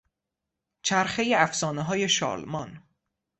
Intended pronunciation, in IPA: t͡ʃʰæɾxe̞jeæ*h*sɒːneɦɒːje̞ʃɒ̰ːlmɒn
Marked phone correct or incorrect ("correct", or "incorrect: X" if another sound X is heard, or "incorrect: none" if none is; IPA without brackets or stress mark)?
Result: incorrect: f